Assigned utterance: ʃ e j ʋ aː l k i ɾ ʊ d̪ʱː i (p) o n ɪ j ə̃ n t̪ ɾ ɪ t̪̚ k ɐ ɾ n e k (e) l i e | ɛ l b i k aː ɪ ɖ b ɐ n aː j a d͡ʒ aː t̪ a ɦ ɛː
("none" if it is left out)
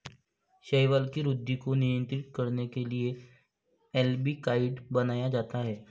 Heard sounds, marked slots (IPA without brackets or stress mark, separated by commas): k, e